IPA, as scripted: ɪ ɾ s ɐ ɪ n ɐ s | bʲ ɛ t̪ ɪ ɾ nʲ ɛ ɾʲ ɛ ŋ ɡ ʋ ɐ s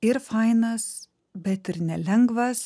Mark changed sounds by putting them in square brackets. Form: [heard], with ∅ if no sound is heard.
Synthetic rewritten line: ɪ ɾ [f] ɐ ɪ n ɐ s | bʲ ɛ t̪ ɪ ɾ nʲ ɛ [lʲ] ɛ ŋ ɡ ʋ ɐ s